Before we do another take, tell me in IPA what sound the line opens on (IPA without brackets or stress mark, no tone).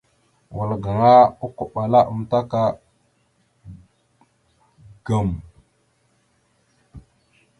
w